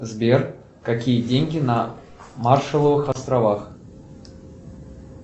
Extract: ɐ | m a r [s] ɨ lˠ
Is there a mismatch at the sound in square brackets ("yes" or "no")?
yes